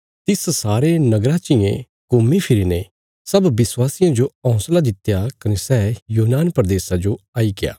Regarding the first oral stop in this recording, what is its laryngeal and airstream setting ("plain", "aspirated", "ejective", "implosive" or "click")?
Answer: plain